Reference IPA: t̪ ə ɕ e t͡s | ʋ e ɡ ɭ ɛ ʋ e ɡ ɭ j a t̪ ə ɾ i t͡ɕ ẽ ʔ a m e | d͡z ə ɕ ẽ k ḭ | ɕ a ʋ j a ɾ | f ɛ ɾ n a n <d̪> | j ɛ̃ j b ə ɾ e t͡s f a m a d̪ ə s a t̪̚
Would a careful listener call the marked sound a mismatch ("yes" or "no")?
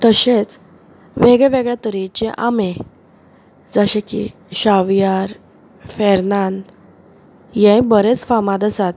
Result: no